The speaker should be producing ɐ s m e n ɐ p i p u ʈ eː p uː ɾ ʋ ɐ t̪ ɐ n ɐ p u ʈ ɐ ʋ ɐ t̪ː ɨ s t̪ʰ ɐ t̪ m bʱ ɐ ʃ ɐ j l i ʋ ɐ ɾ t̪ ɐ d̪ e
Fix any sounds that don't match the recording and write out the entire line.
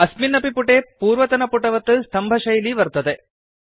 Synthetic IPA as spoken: ɐ s m i n ɐ p i p u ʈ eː p uː ɾ ʋ ɐ t̪ ɐ n ɐ p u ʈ ɐ ʋ ɐ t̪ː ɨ s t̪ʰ ɐ m bʱ ɐ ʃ ɐ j l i ʋ ɐ ɾ t̪ ɐ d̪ e